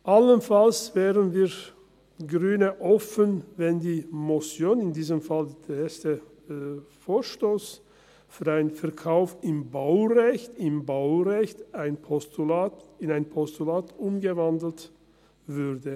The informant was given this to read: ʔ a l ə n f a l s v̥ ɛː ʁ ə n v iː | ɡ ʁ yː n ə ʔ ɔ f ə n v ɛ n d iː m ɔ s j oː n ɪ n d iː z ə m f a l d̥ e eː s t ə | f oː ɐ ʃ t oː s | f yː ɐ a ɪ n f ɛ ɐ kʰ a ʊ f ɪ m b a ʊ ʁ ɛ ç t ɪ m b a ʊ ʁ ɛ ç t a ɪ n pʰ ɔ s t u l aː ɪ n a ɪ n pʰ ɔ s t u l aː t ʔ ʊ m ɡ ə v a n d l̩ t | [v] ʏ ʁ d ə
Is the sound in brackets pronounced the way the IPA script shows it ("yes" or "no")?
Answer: yes